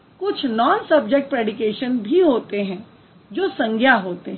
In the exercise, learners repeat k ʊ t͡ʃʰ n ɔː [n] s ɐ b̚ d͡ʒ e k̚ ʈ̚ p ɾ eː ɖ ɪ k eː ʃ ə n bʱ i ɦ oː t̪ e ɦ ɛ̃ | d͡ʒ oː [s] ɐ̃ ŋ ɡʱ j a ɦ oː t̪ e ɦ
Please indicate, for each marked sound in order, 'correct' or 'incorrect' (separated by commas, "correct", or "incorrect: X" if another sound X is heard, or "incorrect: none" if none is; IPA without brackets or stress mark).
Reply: correct, correct